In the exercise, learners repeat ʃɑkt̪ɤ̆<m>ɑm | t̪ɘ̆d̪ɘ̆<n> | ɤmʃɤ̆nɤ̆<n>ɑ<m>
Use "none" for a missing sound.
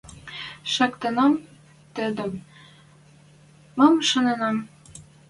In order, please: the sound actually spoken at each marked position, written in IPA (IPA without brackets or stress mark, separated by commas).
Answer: n, m, n, m